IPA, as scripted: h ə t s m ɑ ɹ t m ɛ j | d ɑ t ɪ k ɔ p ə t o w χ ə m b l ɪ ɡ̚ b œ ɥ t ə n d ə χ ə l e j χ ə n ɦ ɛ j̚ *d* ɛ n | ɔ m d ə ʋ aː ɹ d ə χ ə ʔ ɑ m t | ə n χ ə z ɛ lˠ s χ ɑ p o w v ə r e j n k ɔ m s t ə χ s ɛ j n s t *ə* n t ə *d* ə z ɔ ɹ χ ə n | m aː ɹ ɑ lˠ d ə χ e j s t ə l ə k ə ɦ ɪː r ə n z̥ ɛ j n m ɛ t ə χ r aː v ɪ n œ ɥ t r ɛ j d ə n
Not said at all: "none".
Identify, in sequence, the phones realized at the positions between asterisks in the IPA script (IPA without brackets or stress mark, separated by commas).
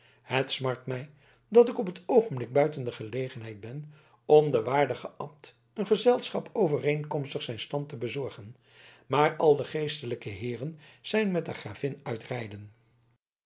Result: b, ɑ, b